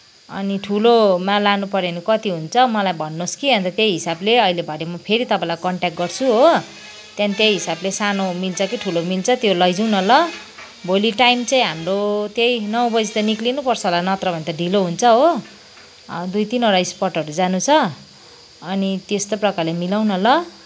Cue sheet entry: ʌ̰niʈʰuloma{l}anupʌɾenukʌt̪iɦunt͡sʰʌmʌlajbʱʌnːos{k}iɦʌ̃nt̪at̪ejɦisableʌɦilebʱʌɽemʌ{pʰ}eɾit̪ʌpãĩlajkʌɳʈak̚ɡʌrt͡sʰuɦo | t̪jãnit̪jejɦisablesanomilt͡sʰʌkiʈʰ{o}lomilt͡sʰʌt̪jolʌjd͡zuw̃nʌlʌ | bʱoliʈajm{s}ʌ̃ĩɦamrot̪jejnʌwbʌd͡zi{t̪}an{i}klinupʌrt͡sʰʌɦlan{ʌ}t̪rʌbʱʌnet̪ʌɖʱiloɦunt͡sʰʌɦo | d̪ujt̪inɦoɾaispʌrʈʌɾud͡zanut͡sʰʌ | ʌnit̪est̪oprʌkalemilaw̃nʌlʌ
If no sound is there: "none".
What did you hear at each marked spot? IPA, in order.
l, k, pʰ, u, t͡s, t̪, i, ʌ

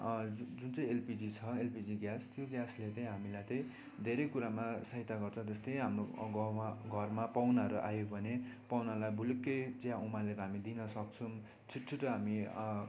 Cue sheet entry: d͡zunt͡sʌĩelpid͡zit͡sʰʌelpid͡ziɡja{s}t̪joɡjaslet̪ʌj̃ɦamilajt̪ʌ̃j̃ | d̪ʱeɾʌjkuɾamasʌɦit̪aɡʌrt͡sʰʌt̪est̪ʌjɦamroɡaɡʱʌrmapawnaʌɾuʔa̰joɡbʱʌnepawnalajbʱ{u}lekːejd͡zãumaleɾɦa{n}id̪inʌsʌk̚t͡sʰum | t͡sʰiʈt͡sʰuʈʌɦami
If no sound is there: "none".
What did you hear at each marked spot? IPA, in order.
s, u, m

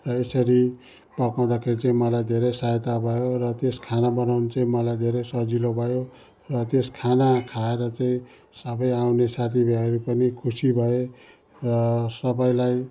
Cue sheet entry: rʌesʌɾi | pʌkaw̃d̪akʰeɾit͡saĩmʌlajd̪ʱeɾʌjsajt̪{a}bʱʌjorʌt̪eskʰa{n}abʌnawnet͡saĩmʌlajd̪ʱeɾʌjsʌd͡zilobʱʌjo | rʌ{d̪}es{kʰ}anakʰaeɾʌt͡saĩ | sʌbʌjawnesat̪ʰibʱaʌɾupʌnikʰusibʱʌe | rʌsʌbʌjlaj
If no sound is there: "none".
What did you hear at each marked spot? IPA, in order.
a, n, t̪, kʰ

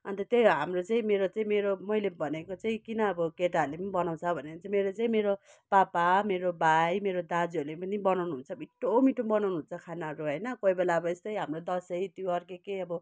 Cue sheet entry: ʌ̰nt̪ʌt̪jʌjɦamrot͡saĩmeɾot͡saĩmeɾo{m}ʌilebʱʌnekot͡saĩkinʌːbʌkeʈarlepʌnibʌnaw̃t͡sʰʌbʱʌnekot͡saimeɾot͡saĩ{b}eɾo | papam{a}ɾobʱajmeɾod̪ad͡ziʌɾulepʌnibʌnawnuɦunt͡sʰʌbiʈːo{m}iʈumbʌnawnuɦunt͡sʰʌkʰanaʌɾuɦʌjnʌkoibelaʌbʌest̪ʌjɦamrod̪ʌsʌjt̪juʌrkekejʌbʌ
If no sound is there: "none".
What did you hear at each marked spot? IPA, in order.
m, m, e, m

